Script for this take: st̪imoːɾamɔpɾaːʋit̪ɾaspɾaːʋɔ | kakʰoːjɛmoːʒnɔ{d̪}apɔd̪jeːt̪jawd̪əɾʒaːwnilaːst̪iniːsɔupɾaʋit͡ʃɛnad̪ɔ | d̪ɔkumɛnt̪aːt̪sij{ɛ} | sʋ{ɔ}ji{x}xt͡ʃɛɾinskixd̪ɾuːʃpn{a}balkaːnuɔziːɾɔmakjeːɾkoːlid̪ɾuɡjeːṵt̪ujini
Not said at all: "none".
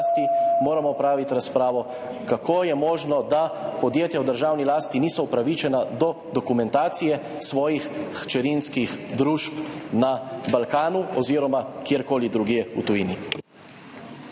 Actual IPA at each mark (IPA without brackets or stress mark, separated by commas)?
d̪, ɛ, ɔː, x, a